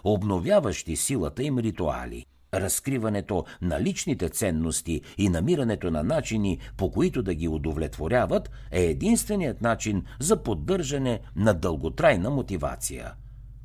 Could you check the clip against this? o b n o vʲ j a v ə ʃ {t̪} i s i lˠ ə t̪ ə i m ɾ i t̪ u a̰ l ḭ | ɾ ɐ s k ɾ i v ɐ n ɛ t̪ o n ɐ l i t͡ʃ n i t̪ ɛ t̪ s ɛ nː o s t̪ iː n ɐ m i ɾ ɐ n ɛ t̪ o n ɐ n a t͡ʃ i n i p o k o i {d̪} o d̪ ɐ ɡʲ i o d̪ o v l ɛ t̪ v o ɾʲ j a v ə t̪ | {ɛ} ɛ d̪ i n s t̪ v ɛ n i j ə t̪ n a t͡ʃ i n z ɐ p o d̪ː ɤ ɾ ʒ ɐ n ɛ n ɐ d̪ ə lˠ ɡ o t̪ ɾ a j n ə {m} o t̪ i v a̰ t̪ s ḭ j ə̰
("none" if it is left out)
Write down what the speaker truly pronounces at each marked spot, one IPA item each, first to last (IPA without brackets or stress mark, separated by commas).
t̪, t̪, ɛ, m